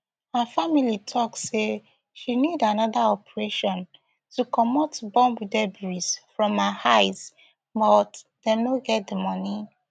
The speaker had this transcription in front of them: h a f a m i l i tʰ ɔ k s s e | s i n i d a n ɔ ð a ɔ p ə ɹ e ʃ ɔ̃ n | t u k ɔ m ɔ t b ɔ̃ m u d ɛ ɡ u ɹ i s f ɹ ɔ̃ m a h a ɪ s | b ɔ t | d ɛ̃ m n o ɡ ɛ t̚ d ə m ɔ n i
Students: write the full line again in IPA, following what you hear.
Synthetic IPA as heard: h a f a m i l i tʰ ɔ k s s e | ʃ i n i d a n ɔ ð a ɔ p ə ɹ e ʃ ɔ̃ n | t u k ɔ m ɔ t b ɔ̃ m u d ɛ b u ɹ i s f ɹ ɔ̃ m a h a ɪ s | b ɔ t | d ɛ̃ m n o ɡ ɛ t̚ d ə m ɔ n i